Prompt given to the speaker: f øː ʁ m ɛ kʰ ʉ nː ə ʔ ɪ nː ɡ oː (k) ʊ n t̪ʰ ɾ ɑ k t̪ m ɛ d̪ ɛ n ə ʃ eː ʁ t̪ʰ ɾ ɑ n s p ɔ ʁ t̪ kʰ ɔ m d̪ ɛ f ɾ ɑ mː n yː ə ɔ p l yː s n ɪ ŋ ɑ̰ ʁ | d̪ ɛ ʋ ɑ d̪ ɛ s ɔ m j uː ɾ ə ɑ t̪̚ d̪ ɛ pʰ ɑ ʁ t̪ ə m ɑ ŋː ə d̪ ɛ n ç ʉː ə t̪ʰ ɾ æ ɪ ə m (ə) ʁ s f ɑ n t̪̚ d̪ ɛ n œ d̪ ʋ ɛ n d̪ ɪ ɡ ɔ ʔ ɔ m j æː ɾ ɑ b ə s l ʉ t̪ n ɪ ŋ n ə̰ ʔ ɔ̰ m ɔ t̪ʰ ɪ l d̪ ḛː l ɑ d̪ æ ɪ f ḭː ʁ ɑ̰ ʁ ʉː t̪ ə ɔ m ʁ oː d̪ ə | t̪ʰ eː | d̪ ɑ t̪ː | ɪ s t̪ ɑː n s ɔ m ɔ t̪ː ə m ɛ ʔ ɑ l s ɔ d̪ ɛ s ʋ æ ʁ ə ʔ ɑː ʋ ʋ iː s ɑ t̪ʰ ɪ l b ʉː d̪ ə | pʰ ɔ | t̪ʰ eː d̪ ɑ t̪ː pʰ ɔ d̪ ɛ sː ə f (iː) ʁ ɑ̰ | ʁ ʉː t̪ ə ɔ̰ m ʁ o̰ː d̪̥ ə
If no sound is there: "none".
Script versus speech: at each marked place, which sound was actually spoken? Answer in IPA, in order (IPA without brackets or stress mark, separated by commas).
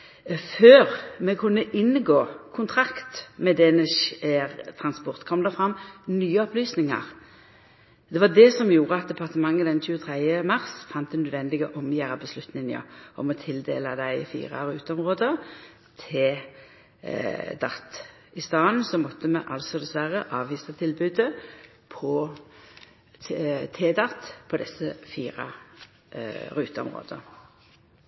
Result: kʰ, ɑ, iː